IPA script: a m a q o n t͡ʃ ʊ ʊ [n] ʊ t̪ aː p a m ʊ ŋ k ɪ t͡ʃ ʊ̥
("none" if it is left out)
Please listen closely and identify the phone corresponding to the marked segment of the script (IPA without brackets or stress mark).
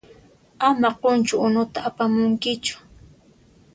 n